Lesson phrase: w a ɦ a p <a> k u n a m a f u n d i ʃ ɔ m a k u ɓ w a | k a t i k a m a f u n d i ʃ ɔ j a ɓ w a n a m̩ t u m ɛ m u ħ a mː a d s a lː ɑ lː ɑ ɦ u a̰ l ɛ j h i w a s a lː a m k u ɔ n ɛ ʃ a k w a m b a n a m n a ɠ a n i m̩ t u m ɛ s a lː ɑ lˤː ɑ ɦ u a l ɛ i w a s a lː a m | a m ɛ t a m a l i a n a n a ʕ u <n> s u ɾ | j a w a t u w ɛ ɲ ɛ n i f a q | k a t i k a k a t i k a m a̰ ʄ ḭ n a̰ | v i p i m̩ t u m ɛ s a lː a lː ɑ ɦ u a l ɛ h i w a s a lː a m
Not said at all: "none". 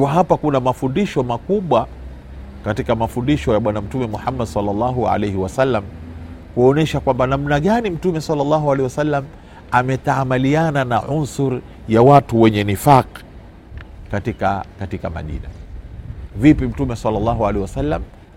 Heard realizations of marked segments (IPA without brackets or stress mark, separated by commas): a, n